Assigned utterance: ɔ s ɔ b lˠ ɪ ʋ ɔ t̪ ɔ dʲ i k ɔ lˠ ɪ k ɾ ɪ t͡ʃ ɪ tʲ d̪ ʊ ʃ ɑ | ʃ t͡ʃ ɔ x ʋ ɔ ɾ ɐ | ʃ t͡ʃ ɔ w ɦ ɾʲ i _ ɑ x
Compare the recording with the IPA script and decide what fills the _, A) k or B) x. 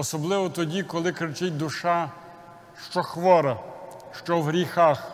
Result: B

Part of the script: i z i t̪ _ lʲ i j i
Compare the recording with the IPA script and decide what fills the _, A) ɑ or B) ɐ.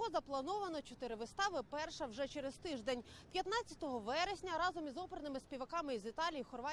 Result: A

